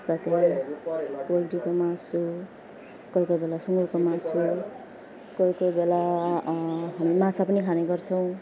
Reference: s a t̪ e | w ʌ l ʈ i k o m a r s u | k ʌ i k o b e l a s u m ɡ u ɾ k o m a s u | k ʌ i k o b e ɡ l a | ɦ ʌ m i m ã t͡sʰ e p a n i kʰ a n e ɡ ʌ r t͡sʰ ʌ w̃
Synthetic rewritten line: s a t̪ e | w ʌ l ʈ i k o m a s u | k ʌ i k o b e l a s u ŋ ɡ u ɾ k o m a s u | k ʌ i k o b e l a | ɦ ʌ m i m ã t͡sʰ a p ʌ n i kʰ a n e ɡ ʌ r t͡sʰ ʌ w̃